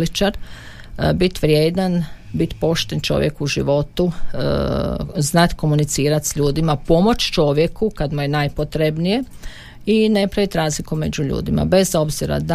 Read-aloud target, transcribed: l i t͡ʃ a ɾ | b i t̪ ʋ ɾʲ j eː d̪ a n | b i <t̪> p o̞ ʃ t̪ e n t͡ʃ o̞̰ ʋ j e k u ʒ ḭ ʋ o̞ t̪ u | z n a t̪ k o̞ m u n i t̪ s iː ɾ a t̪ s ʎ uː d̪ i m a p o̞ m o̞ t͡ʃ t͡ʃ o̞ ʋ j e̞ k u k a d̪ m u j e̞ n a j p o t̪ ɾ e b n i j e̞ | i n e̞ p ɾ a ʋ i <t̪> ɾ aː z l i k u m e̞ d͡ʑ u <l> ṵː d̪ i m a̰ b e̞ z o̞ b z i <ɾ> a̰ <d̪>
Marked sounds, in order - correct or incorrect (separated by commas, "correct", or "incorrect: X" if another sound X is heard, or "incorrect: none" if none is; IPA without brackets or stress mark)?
correct, correct, incorrect: ʎ, correct, correct